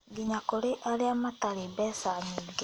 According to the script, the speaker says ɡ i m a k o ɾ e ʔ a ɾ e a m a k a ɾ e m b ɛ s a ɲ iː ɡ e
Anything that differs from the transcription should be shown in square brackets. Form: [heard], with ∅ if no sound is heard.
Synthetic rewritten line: ɡ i [ɲ] a k o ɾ e ʔ a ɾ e a m a [t] a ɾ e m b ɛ s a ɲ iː ɡ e